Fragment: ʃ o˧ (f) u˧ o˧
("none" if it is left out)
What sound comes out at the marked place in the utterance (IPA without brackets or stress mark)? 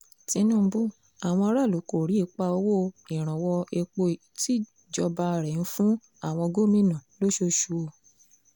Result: ʃ